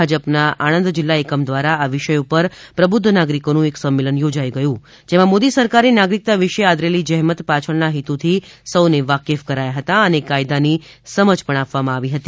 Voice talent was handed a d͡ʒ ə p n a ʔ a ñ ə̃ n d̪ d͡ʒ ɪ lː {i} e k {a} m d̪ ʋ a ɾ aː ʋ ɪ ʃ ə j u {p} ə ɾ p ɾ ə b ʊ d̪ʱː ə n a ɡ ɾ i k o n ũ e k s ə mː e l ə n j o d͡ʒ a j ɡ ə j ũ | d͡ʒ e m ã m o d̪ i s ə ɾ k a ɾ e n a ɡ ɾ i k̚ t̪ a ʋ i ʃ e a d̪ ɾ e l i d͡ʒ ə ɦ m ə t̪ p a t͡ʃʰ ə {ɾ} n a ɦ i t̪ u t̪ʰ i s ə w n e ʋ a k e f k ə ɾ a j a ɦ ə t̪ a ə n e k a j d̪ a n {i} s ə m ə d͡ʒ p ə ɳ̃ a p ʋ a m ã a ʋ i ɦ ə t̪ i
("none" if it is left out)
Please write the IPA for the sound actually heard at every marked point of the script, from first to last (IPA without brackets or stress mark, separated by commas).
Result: a, ə, p, ɭ, i